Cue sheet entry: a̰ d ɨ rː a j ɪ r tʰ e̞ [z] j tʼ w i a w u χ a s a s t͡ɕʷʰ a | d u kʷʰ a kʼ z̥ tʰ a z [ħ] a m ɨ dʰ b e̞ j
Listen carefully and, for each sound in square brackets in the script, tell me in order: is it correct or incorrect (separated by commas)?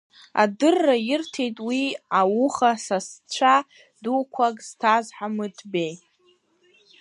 incorrect, correct